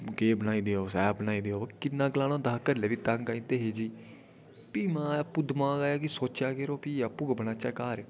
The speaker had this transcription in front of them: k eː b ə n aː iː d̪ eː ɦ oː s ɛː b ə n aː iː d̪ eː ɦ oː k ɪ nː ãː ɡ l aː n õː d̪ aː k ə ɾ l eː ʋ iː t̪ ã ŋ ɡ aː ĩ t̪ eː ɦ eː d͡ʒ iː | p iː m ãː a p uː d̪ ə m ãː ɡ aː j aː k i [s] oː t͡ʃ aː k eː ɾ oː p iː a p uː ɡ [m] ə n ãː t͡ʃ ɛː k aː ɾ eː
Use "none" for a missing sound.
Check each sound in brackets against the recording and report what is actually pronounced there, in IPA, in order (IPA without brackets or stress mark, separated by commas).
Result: s, b